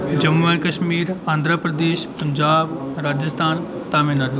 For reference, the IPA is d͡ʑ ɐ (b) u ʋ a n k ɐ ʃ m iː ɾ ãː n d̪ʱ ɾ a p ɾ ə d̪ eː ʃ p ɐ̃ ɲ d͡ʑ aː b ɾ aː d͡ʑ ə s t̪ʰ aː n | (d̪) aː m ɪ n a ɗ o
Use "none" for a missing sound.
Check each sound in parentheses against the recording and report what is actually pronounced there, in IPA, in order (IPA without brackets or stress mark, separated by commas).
m, t̪